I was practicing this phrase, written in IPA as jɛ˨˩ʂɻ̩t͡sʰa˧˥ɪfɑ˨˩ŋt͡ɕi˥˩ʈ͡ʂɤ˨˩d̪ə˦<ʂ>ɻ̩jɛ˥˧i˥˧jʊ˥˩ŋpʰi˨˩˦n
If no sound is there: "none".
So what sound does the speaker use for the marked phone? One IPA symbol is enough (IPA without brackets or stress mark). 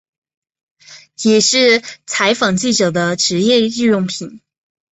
ʈ͡ʂ